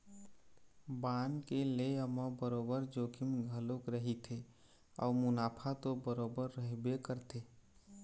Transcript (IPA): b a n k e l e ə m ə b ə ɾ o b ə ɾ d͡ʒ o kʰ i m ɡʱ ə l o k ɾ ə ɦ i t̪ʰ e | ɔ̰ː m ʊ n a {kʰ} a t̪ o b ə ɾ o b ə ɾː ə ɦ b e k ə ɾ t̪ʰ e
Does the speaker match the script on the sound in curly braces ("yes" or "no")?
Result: no